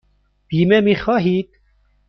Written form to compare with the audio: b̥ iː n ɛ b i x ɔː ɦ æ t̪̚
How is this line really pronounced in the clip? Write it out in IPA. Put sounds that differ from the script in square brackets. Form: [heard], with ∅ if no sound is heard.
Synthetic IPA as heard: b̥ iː [m] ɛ [m] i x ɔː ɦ [i] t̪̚